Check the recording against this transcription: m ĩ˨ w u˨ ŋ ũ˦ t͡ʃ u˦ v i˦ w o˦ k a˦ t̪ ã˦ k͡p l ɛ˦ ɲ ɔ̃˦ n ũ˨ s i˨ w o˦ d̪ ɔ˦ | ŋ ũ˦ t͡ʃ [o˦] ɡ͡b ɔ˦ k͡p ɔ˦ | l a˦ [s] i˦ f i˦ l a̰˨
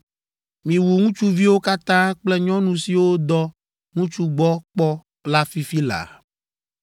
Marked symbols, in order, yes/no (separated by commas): no, no